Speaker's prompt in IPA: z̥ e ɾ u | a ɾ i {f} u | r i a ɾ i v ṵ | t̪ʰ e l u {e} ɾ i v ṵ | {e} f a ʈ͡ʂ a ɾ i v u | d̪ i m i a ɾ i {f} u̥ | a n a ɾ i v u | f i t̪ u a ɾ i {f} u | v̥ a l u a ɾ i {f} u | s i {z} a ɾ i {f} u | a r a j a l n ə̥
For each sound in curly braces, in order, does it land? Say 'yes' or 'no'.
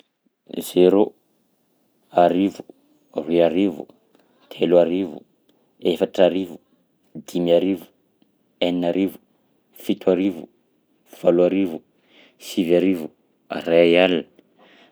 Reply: no, no, yes, no, no, no, no, no

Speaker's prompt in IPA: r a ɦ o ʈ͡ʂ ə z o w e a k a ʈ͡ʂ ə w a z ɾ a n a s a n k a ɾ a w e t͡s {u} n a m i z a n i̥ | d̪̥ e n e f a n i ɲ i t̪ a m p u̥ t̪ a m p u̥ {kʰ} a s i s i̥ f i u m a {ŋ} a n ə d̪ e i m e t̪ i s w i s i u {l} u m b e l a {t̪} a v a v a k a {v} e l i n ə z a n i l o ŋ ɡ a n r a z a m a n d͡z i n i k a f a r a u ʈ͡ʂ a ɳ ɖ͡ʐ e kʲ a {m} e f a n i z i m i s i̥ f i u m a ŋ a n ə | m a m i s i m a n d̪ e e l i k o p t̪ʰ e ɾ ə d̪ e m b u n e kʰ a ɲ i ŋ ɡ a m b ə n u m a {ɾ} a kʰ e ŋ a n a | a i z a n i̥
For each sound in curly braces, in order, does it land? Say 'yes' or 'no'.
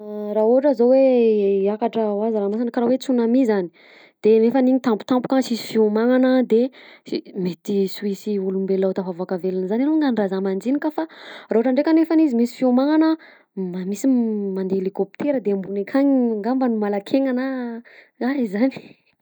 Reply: yes, no, yes, yes, yes, yes, no, no

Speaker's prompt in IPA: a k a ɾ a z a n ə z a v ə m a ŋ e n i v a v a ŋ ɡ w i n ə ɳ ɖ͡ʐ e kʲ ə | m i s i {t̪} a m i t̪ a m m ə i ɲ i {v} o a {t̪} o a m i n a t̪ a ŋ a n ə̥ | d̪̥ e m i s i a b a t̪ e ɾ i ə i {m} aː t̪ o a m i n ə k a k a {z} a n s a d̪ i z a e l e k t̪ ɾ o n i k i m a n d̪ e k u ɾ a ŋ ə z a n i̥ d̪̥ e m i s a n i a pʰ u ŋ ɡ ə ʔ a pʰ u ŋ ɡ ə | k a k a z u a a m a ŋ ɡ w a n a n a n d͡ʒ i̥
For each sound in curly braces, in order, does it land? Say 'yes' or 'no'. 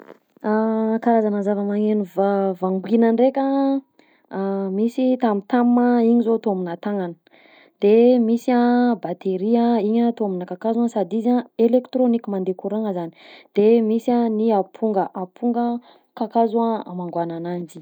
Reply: yes, no, yes, no, yes

